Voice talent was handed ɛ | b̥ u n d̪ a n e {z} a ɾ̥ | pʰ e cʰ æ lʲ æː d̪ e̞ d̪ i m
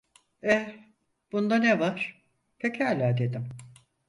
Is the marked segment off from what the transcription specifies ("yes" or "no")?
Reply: yes